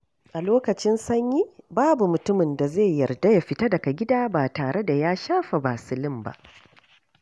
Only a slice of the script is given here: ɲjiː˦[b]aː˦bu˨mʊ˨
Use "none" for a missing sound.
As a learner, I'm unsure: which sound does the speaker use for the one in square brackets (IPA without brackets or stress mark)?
b